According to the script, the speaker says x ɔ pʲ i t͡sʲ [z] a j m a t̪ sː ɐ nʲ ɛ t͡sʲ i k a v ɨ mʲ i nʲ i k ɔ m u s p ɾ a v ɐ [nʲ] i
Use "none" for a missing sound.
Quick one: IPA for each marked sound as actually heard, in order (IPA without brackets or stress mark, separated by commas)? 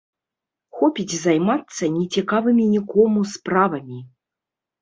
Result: z, mʲ